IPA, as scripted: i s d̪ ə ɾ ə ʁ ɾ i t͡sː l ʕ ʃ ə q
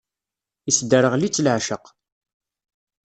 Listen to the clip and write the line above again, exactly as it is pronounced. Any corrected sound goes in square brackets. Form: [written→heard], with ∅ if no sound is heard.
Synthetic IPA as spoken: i s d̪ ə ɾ ə ʁ [ɾ→l] i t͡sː l ʕ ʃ ə q